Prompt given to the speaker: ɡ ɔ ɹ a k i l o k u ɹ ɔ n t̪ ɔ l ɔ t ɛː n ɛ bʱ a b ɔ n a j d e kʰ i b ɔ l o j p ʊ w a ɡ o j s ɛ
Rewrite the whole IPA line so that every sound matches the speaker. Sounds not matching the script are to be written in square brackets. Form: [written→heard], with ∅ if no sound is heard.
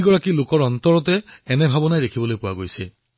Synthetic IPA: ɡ ɔ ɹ a k i l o k [u→ɔ] ɹ ɔ n t̪ ɔ [l→ɹ] ɔ t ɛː n ɛ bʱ a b ɔ n a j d e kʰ i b ɔ l o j p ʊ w a ɡ o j s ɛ